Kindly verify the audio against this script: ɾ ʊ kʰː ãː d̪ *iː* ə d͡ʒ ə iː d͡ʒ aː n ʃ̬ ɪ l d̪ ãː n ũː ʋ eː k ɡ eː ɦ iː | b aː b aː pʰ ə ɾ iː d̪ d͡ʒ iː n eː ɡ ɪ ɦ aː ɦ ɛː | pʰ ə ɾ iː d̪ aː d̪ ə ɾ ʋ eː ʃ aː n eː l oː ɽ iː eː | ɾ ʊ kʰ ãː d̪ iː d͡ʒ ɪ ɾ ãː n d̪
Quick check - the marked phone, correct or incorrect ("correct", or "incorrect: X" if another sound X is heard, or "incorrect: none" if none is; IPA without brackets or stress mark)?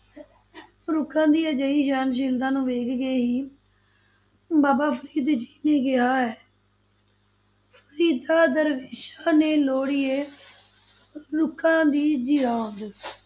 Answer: correct